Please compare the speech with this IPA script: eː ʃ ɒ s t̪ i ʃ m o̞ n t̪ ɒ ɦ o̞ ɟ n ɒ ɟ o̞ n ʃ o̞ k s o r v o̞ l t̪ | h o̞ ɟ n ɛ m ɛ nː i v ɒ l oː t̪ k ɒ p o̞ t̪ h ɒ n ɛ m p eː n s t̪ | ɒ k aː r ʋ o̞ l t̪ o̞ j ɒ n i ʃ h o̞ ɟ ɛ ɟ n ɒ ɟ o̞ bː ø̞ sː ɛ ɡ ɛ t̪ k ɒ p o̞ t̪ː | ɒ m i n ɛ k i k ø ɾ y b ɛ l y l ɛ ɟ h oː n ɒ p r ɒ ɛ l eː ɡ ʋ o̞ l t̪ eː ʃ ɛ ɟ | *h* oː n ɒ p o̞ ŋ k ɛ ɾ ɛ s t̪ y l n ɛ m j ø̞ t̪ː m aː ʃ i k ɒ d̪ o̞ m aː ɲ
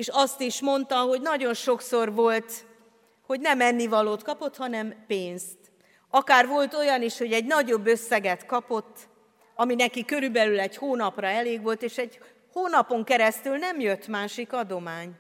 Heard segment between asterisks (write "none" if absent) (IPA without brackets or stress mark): h